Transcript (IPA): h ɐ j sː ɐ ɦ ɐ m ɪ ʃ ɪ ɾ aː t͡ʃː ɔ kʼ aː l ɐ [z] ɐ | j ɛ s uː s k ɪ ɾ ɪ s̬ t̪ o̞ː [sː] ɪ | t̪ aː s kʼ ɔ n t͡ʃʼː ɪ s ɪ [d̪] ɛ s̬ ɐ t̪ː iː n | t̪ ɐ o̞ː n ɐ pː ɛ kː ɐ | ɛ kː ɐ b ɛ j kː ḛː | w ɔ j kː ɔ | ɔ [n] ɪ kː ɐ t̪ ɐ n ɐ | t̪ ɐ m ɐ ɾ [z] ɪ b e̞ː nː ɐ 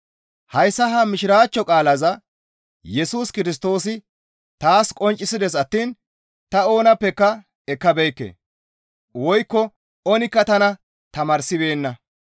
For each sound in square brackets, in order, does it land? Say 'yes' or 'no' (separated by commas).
yes, no, yes, yes, no